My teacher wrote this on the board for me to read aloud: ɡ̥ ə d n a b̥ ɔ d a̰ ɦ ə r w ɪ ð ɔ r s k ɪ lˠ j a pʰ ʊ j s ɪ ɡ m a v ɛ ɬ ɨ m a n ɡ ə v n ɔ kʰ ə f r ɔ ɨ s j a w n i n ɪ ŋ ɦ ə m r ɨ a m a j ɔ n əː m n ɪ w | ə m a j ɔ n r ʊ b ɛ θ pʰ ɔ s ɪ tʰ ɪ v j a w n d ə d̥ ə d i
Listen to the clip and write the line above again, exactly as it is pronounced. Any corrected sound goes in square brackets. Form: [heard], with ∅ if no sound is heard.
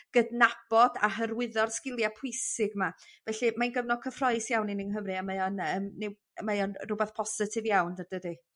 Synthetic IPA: ɡ̥ ə d n a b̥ ɔ d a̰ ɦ ə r w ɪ ð ɔ r s k ɪ lˠ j a pʰ ʊ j s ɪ ɡ m a v ɛ ɬ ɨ m a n ɡ ə v n ɔ kʰ ə f r ɔ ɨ s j a w n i n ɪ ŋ ɦ ə m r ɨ a m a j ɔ n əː m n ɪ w | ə m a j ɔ n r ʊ b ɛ θ pʰ ɔ s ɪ tʰ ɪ v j a w n d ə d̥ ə d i